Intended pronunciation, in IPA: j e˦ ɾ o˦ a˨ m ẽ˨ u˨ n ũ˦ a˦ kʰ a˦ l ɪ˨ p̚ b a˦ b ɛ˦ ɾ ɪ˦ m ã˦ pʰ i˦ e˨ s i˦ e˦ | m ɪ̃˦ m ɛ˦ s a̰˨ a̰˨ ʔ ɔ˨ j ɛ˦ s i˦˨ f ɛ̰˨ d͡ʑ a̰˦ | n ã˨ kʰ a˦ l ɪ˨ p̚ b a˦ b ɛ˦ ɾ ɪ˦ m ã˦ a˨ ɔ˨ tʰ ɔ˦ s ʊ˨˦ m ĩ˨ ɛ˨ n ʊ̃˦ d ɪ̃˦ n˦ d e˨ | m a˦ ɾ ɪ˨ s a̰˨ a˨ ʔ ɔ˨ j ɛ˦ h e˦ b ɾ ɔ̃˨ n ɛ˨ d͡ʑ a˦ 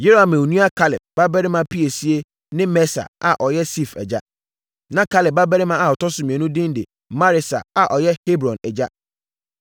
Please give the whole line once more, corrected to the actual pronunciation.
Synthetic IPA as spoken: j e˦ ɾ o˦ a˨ m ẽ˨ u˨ n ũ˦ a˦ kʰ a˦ l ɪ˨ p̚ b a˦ b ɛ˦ ɾ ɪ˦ m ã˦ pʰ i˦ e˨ s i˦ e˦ | n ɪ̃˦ m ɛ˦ s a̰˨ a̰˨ ʔ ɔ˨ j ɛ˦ s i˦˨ f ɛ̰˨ d͡ʑ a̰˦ | n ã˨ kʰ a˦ l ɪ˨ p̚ b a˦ b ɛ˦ ɾ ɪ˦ m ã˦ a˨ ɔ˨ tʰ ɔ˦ s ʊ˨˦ m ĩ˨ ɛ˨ n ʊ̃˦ d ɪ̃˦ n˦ d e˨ | m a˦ ɾ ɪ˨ s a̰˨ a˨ ʔ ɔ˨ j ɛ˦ h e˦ b ɾ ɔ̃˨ n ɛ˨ d͡ʑ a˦